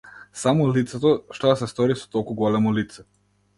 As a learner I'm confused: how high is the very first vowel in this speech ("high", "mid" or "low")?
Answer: low